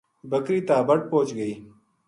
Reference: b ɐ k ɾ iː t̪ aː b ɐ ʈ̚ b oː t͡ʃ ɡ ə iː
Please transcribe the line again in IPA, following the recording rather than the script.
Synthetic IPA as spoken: b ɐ k ɾ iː t̪ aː b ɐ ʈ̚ p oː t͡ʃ ɡ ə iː